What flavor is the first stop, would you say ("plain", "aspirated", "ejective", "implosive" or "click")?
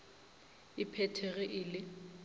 aspirated